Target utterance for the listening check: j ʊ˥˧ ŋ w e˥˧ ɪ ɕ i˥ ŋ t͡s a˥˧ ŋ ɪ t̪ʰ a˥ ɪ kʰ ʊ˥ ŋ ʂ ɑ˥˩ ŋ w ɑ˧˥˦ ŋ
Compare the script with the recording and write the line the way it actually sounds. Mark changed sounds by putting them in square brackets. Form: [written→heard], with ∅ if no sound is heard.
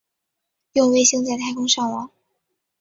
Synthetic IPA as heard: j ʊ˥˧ ŋ w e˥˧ ɪ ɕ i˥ ŋ t͡s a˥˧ [ŋ→∅] ɪ t̪ʰ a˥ ɪ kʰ ʊ˥ ŋ ʂ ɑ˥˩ ŋ w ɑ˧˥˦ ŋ